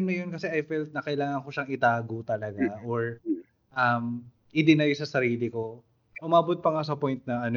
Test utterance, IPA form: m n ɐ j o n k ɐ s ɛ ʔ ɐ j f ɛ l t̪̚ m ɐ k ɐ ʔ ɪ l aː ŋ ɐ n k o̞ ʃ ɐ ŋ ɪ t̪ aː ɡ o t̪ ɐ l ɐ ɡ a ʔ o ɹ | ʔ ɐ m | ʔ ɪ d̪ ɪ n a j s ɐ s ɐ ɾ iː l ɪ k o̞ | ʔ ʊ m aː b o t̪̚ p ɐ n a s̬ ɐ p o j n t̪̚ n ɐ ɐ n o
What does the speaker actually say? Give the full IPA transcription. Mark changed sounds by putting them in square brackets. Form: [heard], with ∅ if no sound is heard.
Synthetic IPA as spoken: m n ɐ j o n k ɐ s ɛ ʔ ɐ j f ɛ l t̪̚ [n] ɐ k ɐ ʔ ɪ l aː ŋ ɐ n k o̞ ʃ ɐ ŋ ɪ t̪ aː ɡ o t̪ ɐ l ɐ ɡ a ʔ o ɹ | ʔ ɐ m | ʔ ɪ d̪ ɪ n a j s ɐ s ɐ ɾ iː l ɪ k o̞ | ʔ ʊ m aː b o t̪̚ p ɐ [ŋ] a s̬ ɐ p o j n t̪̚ n ɐ ɐ n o